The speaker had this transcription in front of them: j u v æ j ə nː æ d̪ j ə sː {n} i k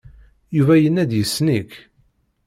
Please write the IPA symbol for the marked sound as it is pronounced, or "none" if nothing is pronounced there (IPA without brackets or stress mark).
n